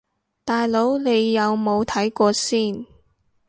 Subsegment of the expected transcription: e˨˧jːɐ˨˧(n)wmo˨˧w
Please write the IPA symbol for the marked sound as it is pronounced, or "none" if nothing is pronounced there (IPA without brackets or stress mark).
none